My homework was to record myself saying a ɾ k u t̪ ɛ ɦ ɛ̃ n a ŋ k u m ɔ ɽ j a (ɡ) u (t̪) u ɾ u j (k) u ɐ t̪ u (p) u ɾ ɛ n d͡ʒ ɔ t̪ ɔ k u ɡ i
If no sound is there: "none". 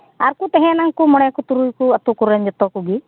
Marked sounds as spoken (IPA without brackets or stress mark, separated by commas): k, t̪, k, k